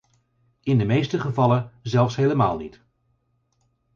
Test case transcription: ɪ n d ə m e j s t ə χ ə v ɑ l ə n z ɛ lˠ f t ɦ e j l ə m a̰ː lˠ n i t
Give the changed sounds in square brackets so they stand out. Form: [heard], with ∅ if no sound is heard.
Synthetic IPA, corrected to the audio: ɪ n d ə m e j s t ə χ ə v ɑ l ə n z ɛ lˠ f [s] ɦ e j l ə m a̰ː lˠ n i t

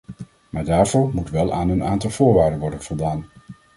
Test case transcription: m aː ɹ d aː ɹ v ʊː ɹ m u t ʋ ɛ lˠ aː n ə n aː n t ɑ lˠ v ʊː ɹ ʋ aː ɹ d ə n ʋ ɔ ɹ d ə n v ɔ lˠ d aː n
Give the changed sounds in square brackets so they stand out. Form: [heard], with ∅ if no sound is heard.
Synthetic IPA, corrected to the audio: m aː ɹ d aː ɹ v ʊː ɹ m u t ʋ ɛ lˠ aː n ə n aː n t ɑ lˠ v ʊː ɹ ʋ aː ɹ d ə n ʋ ɔ ɹ d ə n v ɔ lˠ d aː n

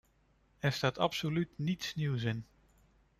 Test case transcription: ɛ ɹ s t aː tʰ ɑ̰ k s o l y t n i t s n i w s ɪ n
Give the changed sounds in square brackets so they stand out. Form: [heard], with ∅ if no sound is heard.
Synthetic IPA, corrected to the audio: ɛ ɹ s t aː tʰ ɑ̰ [p] s o l y t n i t s n i w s ɪ n

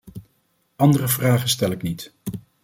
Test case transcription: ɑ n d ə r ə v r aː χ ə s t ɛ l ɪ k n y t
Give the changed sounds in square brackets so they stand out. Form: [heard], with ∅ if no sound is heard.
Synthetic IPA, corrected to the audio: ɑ n d ə r ə v r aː χ ə s t ɛ l ɪ k n [i] t

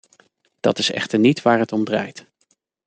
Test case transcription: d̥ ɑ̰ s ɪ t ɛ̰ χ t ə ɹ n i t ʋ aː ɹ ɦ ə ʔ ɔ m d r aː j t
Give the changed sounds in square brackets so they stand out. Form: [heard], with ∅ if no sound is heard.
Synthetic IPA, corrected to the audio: d̥ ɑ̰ [t] ɪ [s] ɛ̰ χ t ə ɹ n i t ʋ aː ɹ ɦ ə [t] ɔ m d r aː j t

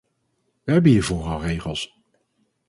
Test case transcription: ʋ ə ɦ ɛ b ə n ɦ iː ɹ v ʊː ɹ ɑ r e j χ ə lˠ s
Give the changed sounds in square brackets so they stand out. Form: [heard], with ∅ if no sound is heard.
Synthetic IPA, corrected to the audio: ʋ ə ɦ ɛ b ə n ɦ iː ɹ v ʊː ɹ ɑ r e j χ ə lˠ s

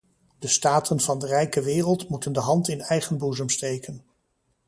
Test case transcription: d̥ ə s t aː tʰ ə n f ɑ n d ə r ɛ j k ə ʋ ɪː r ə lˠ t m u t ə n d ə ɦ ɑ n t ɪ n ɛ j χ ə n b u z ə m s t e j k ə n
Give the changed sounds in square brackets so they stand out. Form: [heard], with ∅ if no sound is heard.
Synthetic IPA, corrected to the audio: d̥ ə s t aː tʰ ə n [v] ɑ n d ə r ɛ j k ə ʋ ɪː r ə lˠ t m u t ə n d ə ɦ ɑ n t ɪ n ɛ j χ ə n b u z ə m s t e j k ə n

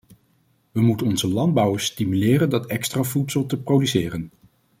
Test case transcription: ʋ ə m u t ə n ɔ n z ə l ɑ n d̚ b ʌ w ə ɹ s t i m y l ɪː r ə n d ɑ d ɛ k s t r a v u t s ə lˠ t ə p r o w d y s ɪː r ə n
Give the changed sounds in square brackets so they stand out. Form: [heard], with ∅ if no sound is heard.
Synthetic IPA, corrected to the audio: ʋ ə m u t ə n ɔ n z ə l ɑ n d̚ b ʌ w ə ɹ s t i m y l ɪː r ə n d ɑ [t] ɛ k s t r a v u t s ə lˠ t ə p r o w d y s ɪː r ə n

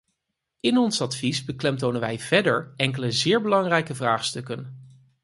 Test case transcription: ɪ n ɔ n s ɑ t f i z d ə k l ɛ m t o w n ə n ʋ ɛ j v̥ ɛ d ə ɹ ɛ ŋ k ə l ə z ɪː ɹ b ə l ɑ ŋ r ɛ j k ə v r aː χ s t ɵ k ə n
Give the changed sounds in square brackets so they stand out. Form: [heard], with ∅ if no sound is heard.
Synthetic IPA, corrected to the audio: ɪ n ɔ n s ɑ t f i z [b] ə k l ɛ m t o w n ə n ʋ ɛ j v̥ ɛ d ə ɹ ɛ ŋ k ə l ə z ɪː ɹ b ə l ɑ ŋ r ɛ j k ə v r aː χ s t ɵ k ə n

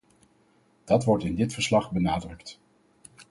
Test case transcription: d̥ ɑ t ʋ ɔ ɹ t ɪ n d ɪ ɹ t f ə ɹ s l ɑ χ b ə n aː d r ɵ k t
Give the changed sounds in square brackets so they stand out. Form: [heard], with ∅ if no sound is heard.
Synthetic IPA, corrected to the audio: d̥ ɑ t ʋ ɔ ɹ t ɪ n d ɪ [∅] t f ə ɹ s l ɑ χ b ə n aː d r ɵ k t

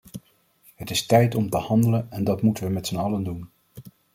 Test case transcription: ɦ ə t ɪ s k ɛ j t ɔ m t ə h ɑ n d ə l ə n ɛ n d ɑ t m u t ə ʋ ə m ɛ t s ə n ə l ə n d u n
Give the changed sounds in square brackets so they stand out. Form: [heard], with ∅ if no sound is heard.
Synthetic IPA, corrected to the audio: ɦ ə t ɪ s [t] ɛ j t ɔ m t ə h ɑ n d ə l ə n ɛ n d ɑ t m u t ə ʋ ə m ɛ t s ə n [ɑ] l ə n d u n

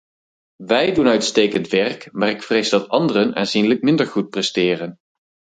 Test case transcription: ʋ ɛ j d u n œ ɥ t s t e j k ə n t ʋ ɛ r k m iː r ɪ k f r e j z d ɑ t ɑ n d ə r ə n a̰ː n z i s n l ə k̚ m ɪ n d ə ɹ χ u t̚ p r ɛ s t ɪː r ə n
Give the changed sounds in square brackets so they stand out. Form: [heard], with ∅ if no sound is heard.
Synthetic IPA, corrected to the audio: ʋ ɛ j d u n œ ɥ t s t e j k ə n t ʋ ɛ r k m [aː] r ɪ k f r e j z d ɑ t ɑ n d ə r ə n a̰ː n z i [∅] n l ə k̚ m ɪ n d ə ɹ χ u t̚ p r ɛ s t ɪː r ə n

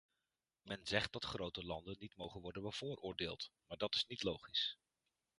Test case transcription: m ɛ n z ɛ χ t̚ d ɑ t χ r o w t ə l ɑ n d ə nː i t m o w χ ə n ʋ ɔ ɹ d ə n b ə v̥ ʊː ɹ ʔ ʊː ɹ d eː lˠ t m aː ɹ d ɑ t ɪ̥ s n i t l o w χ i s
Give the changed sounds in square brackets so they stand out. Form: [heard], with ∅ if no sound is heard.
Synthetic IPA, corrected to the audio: m ɛ n z ɛ χ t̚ d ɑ t χ r o w t ə l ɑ n d ə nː i t m o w χ ə n ʋ ɔ ɹ d ə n b ə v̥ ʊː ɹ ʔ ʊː ɹ d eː lˠ t m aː ɹ d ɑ t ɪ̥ s n i t l o w χ i s

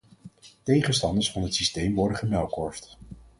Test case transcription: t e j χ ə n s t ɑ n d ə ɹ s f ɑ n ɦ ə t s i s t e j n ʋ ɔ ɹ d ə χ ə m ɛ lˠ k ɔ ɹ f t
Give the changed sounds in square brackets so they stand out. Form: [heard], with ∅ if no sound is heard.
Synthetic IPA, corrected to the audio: t e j χ ə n s t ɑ n d ə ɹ s f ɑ n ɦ ə t s i s t e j [m] ʋ ɔ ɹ d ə χ ə m ɛ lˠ k ɔ ɹ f t

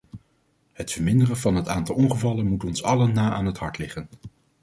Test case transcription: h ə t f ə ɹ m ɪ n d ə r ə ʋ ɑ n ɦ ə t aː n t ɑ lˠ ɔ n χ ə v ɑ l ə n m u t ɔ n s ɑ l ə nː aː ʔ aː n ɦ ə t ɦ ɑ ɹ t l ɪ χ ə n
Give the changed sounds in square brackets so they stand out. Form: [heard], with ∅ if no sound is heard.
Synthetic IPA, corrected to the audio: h ə t f ə ɹ m ɪ n d ə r ə [v] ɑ n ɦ ə t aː n t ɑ lˠ ɔ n χ ə v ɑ l ə n m u t ɔ n s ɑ l ə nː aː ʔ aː n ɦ ə t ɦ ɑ ɹ t l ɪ χ ə n

